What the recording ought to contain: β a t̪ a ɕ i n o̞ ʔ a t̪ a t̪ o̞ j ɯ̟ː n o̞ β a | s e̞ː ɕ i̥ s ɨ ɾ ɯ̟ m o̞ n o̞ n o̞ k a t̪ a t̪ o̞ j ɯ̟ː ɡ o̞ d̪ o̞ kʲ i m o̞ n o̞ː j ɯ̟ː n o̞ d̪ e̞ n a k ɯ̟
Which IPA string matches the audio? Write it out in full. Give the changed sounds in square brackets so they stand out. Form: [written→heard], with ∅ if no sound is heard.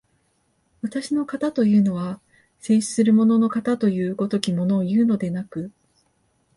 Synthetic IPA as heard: β a t̪ a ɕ i n o̞ [ʔ→k] a t̪ a t̪ o̞ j ɯ̟ː n o̞ β a | s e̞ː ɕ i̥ s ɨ ɾ ɯ̟ m o̞ n o̞ n o̞ k a t̪ a t̪ o̞ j ɯ̟ː ɡ o̞ [d̪→t̪] o̞ kʲ i m o̞ n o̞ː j ɯ̟ː n o̞ d̪ e̞ n a k ɯ̟